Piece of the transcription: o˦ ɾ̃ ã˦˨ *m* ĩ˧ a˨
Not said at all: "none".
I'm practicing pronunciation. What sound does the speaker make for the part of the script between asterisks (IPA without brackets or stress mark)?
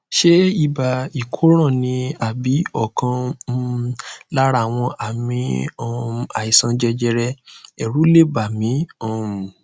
n